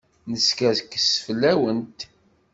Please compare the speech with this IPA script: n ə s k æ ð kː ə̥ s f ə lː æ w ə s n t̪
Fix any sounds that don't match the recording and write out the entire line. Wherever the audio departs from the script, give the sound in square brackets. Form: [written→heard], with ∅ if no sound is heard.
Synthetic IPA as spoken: n ə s k æ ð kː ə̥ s f ə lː æ w ə [s→∅] n t̪